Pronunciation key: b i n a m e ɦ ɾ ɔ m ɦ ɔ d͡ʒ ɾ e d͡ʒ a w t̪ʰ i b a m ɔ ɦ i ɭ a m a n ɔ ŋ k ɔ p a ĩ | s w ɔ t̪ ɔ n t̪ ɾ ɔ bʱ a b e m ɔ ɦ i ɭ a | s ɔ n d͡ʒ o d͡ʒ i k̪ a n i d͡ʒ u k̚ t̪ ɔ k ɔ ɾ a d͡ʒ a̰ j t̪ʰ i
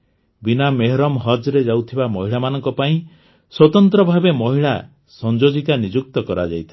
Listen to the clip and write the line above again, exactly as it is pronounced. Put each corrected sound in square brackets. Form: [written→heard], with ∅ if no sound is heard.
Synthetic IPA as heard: b i n a m e ɦ ɾ ɔ m ɦ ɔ d͡ʒ ɾ e d͡ʒ a w t̪ʰ i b a m ɔ ɦ i ɭ a m a n ɔ ŋ k ɔ p a ĩ | s w ɔ t̪ ɔ n t̪ ɾ ɔ bʱ a b e m ɔ ɦ i ɭ a | s ɔ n d͡ʒ o d͡ʒ i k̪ a n i d͡ʒ u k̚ t̪ ɔ k ɔ ɾ a d͡ʒ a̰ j t̪ʰ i